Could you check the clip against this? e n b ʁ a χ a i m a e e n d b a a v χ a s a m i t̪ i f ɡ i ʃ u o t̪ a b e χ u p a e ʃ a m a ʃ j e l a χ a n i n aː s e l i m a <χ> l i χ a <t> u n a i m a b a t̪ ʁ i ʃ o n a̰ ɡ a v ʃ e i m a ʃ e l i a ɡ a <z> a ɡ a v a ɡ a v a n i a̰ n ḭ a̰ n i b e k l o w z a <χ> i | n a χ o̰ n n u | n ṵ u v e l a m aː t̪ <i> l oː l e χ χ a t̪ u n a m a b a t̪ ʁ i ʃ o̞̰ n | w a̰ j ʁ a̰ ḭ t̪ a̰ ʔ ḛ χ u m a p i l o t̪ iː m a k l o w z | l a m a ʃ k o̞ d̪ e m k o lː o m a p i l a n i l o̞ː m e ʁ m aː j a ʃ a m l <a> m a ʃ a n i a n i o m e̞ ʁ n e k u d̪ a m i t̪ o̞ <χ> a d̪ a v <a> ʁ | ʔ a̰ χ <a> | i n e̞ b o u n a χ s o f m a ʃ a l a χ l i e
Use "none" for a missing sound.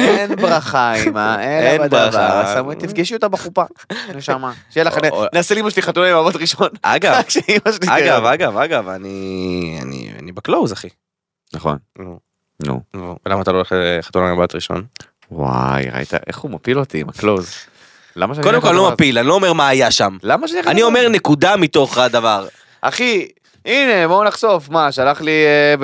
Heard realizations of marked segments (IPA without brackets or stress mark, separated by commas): ʃ, t, v, χ, a, a, χ, a, i